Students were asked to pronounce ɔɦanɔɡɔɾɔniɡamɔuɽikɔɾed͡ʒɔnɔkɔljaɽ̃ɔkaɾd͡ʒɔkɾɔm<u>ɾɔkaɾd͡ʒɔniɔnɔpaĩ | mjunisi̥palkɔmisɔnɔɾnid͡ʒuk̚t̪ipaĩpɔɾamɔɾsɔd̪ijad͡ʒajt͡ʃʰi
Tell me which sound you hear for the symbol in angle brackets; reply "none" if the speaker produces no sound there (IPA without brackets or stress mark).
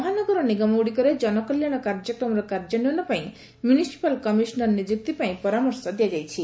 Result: ɔ